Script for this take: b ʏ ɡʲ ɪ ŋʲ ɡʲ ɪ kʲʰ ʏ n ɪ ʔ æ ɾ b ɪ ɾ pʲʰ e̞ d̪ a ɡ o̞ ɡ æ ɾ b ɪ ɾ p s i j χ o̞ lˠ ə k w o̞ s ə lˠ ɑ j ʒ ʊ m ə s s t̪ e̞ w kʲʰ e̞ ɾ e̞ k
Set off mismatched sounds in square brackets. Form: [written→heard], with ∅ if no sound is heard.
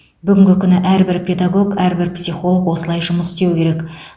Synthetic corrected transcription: b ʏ ɡʲ ɪ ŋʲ ɡʲ ɪ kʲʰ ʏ n ɪ ʔ æ ɾ b ɪ ɾ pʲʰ e̞ d̪ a ɡ o̞ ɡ æ ɾ b ɪ ɾ p s i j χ o̞ lˠ ə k w o̞ s ə lˠ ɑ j ʒ ʊ m ə s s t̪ e̞ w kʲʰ e̞ ɾ e̞ k

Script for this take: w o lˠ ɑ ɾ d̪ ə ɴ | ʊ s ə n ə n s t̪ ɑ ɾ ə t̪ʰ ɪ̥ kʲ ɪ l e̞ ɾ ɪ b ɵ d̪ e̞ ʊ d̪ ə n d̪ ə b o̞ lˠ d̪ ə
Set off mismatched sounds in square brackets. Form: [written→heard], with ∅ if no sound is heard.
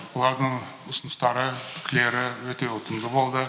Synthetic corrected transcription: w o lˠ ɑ ɾ d̪ ə ɴ | ʊ s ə n ə [n→∅] s t̪ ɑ ɾ ə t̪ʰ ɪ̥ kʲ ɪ l e̞ ɾ ɪ [b→w] ɵ [d̪→t̪] e̞ ʊ [d̪→t̪] ə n d̪ ə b o̞ lˠ d̪ ə

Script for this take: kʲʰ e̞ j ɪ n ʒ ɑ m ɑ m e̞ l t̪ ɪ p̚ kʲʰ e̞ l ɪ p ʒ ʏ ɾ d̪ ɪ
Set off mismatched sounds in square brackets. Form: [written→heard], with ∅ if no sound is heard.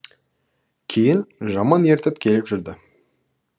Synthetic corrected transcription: kʲʰ e̞ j ɪ n ʒ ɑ m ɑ [m→n] e̞ [l→ɾ] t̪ ɪ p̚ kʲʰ e̞ l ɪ p ʒ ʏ ɾ d̪ ɪ

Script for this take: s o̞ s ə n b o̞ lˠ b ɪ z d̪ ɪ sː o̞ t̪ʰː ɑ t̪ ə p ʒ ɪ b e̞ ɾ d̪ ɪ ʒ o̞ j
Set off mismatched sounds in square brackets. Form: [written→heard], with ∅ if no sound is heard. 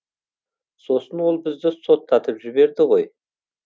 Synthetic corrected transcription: s o̞ s ə n [b→w] o̞ lˠ b ɪ z d̪ ɪ [sː→s] o̞ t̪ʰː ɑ t̪ ə p ʒ ɪ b e̞ ɾ d̪ ɪ [ʒ→ʁ] o̞ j

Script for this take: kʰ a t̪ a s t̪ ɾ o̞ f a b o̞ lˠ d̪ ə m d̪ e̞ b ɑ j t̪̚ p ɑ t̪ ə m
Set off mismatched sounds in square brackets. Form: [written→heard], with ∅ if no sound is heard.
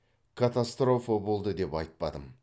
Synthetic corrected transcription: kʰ a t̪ a s t̪ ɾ o̞ f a b o̞ lˠ d̪ ə [m→∅] d̪ e̞ [b→p] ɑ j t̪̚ p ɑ [t̪→d̪] ə m

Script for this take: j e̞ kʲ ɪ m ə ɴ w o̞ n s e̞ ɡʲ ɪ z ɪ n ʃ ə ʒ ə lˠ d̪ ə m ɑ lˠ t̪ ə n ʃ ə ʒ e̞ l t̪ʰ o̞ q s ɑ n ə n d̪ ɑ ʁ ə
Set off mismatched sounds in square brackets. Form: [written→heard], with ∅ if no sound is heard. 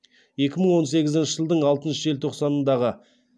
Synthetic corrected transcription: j e̞ kʲ ɪ m ə ɴ w o̞ n s e̞ ɡʲ ɪ z ɪ n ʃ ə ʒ ə lˠ d̪ ə [m→ɴ] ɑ lˠ t̪ ə n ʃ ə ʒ e̞ l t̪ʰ o̞ q s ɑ n ə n d̪ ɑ ʁ ə

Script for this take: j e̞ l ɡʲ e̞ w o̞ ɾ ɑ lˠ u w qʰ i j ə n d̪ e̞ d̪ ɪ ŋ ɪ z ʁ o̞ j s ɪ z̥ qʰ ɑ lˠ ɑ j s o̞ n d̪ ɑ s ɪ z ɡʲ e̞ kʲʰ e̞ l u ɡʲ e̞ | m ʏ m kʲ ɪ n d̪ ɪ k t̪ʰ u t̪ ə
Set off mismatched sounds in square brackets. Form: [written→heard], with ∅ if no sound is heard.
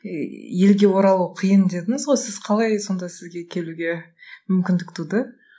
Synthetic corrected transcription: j e̞ l ɡʲ e̞ w o̞ ɾ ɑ lˠ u w qʰ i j ə n d̪ e̞ d̪ ɪ ŋ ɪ z ʁ o̞ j s ɪ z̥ qʰ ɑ lˠ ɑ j s o̞ n d̪ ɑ s ɪ z ɡʲ e̞ kʲʰ e̞ l u ɡʲ e̞ | m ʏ m kʲ ɪ n d̪ ɪ k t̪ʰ u [t̪→d̪] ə

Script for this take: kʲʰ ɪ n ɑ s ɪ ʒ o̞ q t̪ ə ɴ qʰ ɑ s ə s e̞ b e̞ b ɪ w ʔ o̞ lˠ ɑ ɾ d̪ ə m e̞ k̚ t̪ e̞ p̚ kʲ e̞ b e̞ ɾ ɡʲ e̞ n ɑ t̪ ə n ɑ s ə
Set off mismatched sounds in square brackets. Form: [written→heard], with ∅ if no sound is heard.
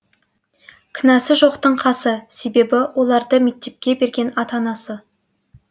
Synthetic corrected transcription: kʲʰ ɪ n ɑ s ɪ ʒ o̞ q t̪ ə ɴ qʰ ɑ s ə s e̞ b e̞ b ɪ w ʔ o̞ lˠ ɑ ɾ d̪ ə m e̞ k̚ t̪ e̞ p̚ kʲ e̞ b e̞ ɾ ɡʲ e̞ n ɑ t̪ [ə→ɑ] n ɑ s ə

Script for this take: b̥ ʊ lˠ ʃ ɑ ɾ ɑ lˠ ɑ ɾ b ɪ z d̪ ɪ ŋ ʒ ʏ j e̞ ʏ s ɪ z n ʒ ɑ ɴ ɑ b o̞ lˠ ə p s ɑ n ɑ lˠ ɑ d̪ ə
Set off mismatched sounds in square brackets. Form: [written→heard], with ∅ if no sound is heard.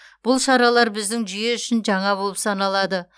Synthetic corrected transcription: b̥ ʊ lˠ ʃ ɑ ɾ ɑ lˠ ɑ ɾ b ɪ z d̪ ɪ ŋ ʒ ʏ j e̞ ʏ [s→ʃ] ɪ [z→∅] n ʒ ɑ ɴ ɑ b o̞ lˠ ə p s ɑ n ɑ lˠ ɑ d̪ ə

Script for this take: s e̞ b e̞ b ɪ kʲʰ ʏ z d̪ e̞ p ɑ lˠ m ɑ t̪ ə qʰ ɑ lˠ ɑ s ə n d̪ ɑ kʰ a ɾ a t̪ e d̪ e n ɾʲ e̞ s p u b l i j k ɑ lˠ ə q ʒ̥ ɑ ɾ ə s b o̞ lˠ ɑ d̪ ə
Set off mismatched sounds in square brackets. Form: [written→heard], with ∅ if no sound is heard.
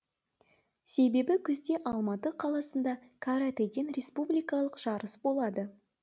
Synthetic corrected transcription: s e̞ b e̞ b ɪ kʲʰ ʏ z d̪ e̞ [p→ʔ] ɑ lˠ m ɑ t̪ ə qʰ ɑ lˠ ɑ s ə n d̪ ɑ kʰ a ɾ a t̪ e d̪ e n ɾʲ e̞ s p u b l i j k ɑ lˠ ə q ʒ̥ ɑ ɾ ə s b o̞ lˠ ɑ d̪ ə

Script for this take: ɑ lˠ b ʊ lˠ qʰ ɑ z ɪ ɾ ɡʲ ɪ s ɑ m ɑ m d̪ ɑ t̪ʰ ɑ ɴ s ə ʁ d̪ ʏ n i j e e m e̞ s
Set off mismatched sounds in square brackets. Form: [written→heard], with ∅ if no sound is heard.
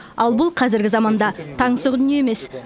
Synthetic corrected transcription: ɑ lˠ b ʊ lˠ qʰ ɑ z ɪ ɾ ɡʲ ɪ [s→z] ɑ m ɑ [m→n] d̪ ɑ t̪ʰ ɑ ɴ s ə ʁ d̪ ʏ n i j e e m e̞ s

